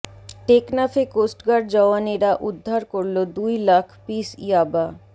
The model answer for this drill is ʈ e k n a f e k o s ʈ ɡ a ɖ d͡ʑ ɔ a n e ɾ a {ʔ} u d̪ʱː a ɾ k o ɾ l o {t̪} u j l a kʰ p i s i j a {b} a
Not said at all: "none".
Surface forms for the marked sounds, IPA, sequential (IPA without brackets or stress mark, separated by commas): ʔ, d̪, b